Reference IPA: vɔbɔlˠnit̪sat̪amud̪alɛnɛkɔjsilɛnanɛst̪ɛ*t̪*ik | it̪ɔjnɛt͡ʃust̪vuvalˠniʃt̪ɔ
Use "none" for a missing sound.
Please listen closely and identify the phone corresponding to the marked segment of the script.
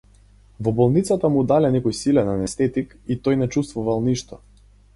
t̪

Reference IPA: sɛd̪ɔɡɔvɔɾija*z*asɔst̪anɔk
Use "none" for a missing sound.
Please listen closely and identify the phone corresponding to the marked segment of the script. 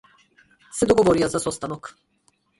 z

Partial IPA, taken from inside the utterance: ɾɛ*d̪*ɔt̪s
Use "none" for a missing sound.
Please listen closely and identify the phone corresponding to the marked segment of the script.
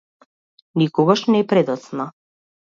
d̪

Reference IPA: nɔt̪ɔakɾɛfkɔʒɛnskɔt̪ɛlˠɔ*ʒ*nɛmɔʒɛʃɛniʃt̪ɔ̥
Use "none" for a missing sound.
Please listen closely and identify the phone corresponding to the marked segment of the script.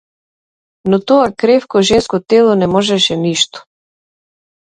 none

